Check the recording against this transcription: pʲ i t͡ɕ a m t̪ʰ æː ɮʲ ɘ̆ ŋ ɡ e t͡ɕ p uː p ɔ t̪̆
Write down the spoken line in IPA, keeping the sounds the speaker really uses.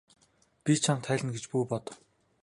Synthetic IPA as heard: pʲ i t͡ɕʰ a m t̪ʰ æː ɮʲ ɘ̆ n ɡ e t͡ɕ p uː p ɔ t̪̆